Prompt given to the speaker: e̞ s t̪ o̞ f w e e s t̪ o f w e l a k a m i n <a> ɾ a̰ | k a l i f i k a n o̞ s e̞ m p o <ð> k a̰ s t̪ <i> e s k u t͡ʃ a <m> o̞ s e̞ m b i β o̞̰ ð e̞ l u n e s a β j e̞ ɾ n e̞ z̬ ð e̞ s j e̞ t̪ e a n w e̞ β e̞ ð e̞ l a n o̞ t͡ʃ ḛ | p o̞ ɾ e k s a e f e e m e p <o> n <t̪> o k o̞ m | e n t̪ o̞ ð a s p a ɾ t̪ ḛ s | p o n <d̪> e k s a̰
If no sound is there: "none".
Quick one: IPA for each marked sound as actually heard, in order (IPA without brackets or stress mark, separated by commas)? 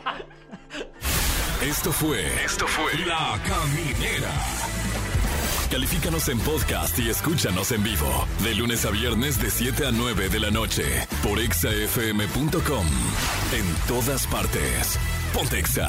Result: e, ð, i, n, u, t̪, t̪